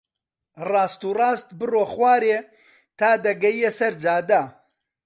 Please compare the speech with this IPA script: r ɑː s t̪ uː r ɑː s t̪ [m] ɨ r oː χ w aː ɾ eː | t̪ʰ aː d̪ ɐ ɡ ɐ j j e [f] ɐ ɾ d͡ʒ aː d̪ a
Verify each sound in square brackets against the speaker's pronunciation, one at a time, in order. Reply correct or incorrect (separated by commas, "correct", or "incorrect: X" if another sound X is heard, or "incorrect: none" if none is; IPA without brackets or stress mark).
incorrect: b, incorrect: s